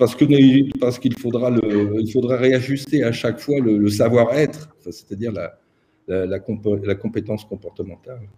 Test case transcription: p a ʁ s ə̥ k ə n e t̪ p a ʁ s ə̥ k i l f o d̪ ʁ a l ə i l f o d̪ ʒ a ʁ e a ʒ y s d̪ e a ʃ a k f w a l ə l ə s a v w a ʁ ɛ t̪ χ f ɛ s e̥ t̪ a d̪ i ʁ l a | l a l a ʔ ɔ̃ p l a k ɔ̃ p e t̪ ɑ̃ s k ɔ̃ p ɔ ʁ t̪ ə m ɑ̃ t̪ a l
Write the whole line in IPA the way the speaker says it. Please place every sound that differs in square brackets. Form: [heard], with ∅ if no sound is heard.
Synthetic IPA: p a ʁ s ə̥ k ə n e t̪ p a ʁ s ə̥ k i l f o d̪ ʁ a l ə i l f o d̪ [ʁ] a ʁ e a ʒ y s [t̪] e a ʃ a k f w a l ə l ə s a v w a ʁ ɛ t̪ χ f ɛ s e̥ t̪ a d̪ i ʁ l a | l a l a [k] ɔ̃ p l a k ɔ̃ p e t̪ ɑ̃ s k ɔ̃ p ɔ ʁ t̪ ə m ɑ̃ t̪ a l